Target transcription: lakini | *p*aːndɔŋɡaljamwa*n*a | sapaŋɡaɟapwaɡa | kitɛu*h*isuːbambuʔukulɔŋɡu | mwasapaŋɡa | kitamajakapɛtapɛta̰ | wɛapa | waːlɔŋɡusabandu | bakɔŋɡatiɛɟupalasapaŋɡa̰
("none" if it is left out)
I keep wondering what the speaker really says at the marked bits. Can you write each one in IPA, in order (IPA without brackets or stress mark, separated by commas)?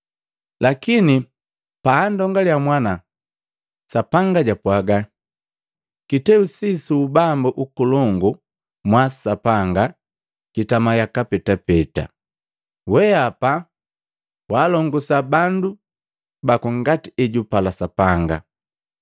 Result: p, n, s